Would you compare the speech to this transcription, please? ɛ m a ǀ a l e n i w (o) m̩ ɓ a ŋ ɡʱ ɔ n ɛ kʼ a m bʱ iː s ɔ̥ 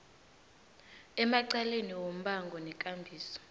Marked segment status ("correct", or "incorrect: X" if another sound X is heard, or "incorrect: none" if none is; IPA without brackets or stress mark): correct